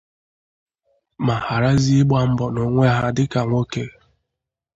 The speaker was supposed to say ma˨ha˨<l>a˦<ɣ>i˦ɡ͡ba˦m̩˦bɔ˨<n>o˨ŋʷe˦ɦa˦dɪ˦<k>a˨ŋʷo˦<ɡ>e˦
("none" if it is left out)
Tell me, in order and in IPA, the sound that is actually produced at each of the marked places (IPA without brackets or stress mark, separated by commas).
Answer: ɾ, z, n, k, k